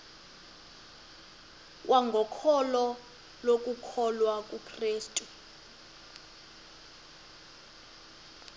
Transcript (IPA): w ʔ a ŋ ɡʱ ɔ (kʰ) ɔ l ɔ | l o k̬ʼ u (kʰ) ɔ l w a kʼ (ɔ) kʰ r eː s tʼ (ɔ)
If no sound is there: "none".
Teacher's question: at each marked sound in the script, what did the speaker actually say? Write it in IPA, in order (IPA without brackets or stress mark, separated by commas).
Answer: kʰ, kʰ, u, u